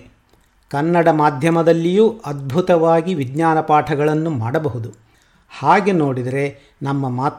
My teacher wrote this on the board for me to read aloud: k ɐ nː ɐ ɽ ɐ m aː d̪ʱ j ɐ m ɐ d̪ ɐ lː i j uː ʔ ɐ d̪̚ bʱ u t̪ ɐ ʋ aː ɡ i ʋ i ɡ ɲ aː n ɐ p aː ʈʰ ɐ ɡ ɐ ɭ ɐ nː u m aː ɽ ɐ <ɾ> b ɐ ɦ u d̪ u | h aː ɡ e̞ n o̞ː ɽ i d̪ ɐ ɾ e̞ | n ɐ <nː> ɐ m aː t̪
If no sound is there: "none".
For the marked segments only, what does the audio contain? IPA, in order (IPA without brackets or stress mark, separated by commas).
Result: none, mː